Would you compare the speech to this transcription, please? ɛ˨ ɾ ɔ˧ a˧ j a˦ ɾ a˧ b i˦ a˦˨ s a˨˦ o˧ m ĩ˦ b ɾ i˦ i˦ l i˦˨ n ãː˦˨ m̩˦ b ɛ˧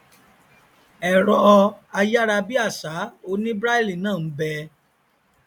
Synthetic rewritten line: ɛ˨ ɾ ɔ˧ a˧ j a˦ ɾ a˧ b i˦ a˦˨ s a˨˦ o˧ n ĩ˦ b ɾ a˦ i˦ l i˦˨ n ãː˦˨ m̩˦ b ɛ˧

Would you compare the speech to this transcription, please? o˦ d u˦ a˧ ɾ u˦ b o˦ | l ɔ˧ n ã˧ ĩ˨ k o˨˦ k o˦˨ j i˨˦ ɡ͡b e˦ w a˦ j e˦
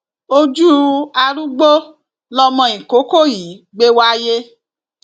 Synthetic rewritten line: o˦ d͡ʒ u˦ a˧ ɾ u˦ ɡ͡b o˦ | l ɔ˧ m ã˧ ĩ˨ k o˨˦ k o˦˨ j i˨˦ ɡ͡b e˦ w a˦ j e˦

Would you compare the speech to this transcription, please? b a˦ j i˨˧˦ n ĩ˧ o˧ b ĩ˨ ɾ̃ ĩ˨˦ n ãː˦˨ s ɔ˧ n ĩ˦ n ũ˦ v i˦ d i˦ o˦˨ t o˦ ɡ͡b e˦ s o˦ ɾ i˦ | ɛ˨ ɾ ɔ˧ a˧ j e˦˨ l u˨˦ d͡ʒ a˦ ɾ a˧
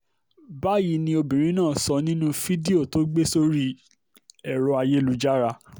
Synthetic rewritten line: b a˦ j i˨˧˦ n ĩ˧ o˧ b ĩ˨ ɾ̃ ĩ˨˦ n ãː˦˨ s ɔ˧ n ĩ˦ n ũ˦ f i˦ d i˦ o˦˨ t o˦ ɡ͡b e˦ s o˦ ɾ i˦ | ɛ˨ ɾ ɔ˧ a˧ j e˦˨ l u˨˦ d͡ʒ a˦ ɾ a˧

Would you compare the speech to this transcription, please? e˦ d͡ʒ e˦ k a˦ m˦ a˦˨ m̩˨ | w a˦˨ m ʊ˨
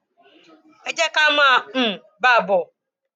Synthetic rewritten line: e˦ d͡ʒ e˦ k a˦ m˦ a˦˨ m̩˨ | b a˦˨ b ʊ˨

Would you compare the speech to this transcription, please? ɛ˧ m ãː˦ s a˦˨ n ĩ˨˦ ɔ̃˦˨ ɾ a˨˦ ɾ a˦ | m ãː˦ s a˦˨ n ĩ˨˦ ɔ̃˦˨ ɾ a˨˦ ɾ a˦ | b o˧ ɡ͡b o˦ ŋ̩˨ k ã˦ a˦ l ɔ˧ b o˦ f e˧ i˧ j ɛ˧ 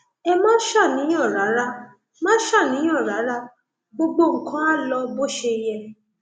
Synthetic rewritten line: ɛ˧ m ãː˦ ʃ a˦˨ n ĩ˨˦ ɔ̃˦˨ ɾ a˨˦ ɾ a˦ | m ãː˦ ʃ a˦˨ n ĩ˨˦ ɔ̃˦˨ ɾ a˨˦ ɾ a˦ | ɡ͡b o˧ ɡ͡b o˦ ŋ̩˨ k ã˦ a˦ l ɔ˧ b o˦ ʃ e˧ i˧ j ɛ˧

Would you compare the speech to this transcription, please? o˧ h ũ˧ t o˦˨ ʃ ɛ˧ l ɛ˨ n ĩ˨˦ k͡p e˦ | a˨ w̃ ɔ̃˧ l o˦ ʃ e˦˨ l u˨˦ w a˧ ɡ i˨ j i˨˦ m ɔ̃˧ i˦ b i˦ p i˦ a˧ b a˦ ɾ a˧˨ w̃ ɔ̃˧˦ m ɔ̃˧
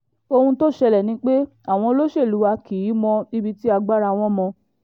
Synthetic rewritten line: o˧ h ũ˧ t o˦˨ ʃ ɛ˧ l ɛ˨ n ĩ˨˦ k͡p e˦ | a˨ w̃ ɔ̃˧ l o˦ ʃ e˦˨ l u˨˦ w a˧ k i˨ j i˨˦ m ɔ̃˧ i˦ b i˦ t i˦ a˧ ɡ͡b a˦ ɾ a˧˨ w̃ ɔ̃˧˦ m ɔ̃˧

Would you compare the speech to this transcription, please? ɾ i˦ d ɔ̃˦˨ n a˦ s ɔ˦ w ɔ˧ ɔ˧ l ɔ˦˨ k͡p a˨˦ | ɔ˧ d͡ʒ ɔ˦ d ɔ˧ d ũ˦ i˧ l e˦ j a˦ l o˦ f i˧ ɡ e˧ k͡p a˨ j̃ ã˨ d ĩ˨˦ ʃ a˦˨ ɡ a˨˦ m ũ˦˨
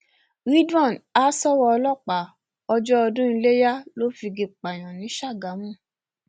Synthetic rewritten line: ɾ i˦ d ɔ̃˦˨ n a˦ s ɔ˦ w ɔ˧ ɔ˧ l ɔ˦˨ k͡p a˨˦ | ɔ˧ d͡ʒ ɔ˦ ɔ˧ d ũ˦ i˧ l e˦ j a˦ l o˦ f i˧ ɡ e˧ k͡p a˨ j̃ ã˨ n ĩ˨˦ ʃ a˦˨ ɡ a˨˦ m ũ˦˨

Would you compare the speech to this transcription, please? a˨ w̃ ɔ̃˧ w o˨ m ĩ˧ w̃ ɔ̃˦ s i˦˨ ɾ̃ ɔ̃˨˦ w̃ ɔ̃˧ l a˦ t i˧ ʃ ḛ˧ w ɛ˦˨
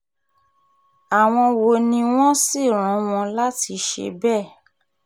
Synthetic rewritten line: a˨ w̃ ɔ̃˧ w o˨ n ĩ˧ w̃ ɔ̃˦ s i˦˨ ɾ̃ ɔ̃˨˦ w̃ ɔ̃˧ l a˦ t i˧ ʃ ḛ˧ b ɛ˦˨

